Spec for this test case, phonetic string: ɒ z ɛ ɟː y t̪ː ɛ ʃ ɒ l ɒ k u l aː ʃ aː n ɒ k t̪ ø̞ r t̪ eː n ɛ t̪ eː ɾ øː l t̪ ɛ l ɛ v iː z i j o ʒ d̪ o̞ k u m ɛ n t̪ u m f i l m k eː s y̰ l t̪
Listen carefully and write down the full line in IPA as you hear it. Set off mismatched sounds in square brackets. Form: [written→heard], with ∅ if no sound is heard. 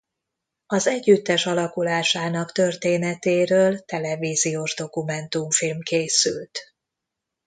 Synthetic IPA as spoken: ɒ z ɛ ɟː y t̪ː ɛ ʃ ɒ l ɒ k u l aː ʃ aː n ɒ k t̪ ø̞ r t̪ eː n ɛ t̪ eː ɾ øː l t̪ ɛ l ɛ v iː z i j o ʒ d̪ o̞ k u m ɛ n t̪ u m f i l m k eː s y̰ l t̪